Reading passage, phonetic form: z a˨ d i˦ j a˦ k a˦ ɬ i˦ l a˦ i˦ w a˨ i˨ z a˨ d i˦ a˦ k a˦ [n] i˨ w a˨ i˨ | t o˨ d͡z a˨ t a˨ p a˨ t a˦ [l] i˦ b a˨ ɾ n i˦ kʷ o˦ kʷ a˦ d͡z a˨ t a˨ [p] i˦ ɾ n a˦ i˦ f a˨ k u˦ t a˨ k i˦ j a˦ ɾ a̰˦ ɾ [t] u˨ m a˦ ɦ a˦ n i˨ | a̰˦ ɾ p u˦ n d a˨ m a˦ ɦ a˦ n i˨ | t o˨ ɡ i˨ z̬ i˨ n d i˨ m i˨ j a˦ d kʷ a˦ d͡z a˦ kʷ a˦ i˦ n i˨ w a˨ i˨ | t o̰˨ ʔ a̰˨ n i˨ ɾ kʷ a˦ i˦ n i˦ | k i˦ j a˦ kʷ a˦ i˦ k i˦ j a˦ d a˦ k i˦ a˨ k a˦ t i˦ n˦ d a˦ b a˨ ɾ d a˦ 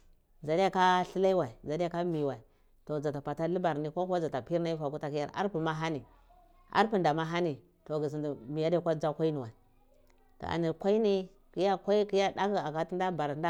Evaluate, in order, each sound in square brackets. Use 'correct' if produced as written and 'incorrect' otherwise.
incorrect, correct, correct, incorrect

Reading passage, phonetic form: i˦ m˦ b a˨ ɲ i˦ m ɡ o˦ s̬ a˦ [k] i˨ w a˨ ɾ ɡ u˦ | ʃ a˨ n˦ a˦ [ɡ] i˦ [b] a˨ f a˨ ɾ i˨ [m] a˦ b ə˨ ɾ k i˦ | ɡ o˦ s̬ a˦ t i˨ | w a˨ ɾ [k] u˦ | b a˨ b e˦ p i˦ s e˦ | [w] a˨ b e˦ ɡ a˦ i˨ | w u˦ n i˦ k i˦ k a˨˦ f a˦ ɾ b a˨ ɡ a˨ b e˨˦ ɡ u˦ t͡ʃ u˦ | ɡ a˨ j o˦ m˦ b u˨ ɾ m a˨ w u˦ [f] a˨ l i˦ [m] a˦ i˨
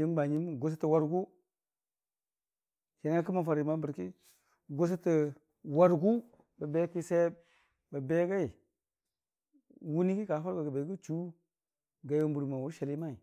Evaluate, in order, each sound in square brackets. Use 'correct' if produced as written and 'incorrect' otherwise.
incorrect, incorrect, incorrect, correct, incorrect, incorrect, incorrect, correct

